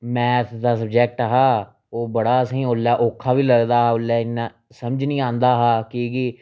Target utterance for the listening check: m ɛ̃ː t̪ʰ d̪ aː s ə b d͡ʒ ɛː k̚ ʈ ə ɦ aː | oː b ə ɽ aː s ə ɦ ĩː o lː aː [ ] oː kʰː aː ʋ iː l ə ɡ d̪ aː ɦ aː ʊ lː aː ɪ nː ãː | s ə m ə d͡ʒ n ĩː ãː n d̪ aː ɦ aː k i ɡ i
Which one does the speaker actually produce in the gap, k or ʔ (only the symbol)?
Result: ʔ